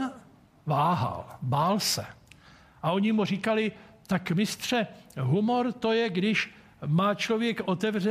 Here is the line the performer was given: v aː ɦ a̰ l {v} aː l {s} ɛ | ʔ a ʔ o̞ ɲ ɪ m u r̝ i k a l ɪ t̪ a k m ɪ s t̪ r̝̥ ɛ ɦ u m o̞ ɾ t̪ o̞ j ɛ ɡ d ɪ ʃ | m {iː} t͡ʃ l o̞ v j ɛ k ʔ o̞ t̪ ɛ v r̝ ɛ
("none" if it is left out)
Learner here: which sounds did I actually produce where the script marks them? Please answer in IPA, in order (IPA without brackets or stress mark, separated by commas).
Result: b, s, aː